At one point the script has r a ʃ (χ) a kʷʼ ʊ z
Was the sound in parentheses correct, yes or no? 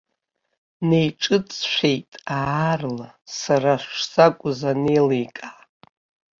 no